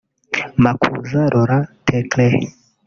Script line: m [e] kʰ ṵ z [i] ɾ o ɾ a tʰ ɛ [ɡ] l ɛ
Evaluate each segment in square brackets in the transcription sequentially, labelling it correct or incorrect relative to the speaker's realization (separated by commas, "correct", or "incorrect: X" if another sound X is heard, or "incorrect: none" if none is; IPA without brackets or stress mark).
incorrect: a, incorrect: a, incorrect: k